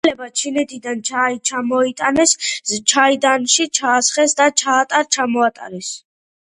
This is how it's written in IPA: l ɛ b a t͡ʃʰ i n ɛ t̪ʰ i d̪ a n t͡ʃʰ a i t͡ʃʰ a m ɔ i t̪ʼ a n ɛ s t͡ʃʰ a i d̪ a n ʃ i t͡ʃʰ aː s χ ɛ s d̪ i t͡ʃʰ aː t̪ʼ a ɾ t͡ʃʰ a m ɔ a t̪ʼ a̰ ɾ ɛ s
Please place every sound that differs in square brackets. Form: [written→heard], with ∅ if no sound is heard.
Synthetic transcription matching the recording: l ɛ b a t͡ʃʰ i n ɛ t̪ʰ i d̪ a n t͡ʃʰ a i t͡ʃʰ a m ɔ i t̪ʼ a n ɛ s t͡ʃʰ a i d̪ a n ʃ i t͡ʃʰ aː s χ ɛ s d̪ [i→a] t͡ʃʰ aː t̪ʼ a ɾ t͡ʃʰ a m ɔ a t̪ʼ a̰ ɾ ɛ s